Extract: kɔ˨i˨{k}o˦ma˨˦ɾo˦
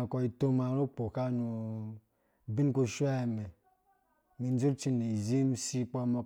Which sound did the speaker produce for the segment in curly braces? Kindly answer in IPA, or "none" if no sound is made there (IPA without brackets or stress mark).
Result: t